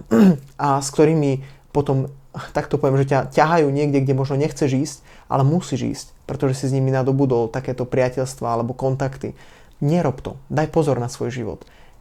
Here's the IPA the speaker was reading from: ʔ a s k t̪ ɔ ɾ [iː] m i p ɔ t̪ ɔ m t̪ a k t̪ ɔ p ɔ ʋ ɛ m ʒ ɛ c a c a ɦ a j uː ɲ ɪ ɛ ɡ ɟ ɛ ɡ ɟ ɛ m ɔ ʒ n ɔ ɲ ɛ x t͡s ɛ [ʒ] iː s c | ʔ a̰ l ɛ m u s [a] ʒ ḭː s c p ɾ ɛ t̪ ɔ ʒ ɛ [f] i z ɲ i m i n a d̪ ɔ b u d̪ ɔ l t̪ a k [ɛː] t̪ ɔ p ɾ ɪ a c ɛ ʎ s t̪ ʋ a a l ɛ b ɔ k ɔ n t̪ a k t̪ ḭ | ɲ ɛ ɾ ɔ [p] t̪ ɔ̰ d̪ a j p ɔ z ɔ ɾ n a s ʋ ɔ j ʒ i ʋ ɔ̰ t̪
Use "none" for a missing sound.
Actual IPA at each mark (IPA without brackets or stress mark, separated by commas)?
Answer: iː, ʒ, i, s, ɛː, p